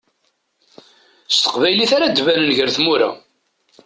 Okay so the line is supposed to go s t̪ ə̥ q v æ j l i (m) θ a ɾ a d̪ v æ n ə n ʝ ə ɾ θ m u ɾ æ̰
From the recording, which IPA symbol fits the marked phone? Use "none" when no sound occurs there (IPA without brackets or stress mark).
none